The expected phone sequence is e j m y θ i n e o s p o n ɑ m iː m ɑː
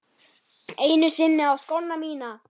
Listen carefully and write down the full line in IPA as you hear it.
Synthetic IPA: e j n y s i nː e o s k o nː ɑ m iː n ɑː